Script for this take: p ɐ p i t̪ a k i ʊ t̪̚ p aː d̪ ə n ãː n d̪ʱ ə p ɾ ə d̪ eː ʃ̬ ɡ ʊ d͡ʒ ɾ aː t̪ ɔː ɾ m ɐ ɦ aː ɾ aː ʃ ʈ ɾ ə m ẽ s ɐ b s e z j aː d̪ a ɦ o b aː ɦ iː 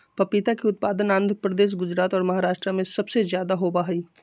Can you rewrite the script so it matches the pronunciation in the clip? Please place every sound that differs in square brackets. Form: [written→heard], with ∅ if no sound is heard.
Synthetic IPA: p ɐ p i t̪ a k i ʊ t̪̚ p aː d̪ ə n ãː n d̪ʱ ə p ɾ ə d̪ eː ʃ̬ ɡ ʊ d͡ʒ ɾ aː t̪ ɔː ɾ m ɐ ɦ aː ɾ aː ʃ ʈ ɾ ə m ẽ s ɐ b s e z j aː d̪ a ɦ o b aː ɦ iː